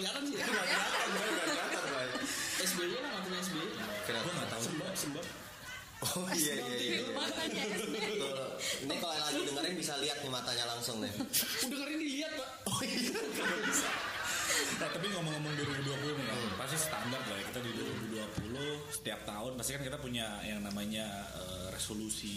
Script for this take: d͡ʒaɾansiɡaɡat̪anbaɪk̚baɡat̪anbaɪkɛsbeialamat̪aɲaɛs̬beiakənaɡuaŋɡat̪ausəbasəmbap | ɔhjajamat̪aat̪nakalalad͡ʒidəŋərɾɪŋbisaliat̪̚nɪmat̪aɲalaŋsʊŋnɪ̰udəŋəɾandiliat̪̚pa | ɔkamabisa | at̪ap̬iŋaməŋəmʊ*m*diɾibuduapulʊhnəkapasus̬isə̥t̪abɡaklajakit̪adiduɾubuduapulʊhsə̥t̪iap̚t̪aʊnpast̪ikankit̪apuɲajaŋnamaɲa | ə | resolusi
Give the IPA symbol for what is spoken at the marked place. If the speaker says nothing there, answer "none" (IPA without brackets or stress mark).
ŋ